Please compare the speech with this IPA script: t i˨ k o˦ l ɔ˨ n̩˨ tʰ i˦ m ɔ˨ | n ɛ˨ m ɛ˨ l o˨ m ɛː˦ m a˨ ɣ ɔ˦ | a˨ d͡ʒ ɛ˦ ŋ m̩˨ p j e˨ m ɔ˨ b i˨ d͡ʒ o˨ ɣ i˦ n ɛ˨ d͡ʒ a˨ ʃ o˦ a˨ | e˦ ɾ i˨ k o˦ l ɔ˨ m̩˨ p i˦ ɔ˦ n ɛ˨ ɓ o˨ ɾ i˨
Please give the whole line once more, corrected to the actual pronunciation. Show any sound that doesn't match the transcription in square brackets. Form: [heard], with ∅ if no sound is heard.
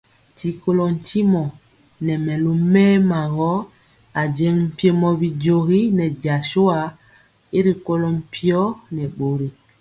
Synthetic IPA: t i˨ k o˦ l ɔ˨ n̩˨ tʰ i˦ m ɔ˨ | n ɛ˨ m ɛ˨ l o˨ m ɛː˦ m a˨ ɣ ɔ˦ | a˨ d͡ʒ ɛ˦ ŋ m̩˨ p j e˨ m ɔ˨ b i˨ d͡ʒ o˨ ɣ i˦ n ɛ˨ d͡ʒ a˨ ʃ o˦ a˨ | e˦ ɾ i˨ k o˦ l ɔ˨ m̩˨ p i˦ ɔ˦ n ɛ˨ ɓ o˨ ɾ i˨